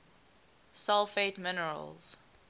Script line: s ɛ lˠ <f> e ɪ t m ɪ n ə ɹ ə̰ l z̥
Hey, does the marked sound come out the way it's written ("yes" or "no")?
yes